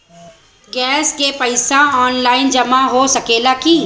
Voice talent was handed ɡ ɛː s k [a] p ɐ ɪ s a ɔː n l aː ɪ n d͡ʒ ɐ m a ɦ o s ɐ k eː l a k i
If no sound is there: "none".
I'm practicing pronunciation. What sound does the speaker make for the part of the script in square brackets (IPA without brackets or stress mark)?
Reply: e